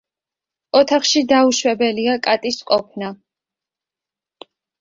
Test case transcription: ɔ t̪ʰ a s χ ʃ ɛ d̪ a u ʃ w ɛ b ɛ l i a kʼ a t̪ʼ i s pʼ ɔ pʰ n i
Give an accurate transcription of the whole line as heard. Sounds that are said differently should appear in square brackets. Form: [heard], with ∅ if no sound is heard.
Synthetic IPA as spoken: ɔ t̪ʰ a [∅] χ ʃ [i] d̪ a u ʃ w ɛ b ɛ l i a kʼ a t̪ʼ i s [qʼ] ɔ pʰ n [a]